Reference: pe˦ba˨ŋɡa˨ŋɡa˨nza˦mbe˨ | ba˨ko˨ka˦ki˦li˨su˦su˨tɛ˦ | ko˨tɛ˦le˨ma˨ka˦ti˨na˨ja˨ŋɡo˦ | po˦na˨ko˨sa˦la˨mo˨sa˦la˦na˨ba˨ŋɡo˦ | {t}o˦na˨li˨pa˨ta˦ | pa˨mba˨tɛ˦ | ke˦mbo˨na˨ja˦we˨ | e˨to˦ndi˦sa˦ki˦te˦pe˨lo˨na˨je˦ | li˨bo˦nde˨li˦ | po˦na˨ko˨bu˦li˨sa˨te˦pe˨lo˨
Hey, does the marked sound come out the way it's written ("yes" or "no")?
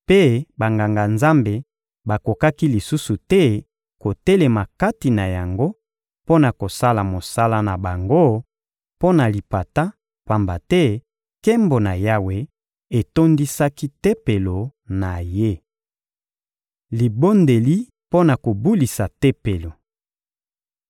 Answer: no